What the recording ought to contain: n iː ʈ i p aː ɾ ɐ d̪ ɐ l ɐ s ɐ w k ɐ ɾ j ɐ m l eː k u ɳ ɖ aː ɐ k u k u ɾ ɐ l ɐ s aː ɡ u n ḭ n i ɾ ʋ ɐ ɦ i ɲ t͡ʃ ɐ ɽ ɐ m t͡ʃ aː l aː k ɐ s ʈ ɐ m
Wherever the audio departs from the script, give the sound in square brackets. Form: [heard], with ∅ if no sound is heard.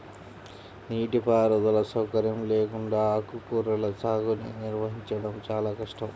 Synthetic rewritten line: n iː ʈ i p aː ɾ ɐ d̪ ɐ l ɐ s ɐ w k ɐ ɾ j ɐ m l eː k u ɳ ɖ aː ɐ k u k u ɾ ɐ l ɐ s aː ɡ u n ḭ n i ɾ ʋ ɐ ɦ i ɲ t͡ʃ ɐ ɽ ɐ m t͡ʃ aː l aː k ɐ [ʂ] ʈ ɐ m

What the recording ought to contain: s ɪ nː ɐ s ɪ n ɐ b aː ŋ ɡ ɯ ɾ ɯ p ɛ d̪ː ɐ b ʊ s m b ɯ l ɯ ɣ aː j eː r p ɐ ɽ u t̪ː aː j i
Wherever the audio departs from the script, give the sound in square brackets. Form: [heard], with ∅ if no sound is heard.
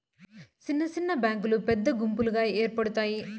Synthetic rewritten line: s ɪ nː ɐ s ɪ [nː] ɐ b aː ŋ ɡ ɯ [l] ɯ p ɛ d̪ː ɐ [ɡ] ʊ [∅] m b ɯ l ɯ ɣ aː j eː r p ɐ ɽ [ɯ] t̪ː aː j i

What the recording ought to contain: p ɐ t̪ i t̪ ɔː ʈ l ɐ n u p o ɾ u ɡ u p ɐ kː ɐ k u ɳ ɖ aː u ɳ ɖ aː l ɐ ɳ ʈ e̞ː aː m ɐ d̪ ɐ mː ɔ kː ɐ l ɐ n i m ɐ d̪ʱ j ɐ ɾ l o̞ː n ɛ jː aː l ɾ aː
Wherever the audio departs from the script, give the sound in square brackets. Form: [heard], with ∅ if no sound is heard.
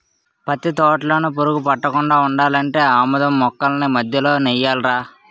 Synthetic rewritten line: p ɐ t̪ i t̪ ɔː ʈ l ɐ n u p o ɾ u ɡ u p ɐ [ʈː] ɐ k u ɳ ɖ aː u ɳ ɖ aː l ɐ ɳ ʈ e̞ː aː m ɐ d̪ ɐ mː ɔ kː ɐ l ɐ n i m ɐ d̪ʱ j ɐ [∅] l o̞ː n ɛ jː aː l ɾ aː

